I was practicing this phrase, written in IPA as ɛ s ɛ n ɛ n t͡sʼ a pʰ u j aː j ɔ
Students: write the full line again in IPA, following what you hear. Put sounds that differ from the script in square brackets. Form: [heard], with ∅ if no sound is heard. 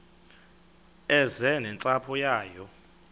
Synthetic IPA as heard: ɛ [z] ɛ n ɛ n t͡sʼ a pʰ [ɔ] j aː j ɔ